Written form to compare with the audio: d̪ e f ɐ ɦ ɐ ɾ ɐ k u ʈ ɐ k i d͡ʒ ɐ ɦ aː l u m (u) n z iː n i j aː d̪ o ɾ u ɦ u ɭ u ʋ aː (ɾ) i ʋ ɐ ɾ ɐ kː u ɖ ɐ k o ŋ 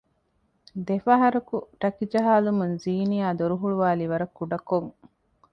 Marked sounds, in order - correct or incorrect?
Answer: correct, incorrect

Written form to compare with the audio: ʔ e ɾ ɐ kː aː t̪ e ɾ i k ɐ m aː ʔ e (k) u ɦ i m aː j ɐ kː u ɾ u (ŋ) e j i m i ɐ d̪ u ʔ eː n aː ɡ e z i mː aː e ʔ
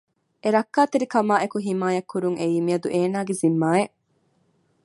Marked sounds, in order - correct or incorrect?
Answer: correct, correct

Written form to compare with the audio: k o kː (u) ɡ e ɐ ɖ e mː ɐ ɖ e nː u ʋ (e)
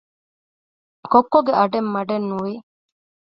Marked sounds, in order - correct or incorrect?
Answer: incorrect, incorrect

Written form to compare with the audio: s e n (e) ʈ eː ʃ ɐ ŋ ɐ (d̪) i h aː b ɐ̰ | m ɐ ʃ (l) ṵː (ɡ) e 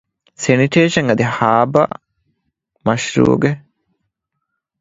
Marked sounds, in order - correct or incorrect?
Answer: incorrect, correct, incorrect, correct

